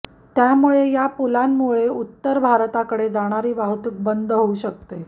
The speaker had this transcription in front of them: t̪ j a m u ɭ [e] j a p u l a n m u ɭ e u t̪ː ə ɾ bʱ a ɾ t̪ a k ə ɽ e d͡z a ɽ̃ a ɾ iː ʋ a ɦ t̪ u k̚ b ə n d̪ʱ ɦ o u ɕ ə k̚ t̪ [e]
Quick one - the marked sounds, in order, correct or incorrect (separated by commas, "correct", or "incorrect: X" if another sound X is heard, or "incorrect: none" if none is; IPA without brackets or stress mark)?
correct, correct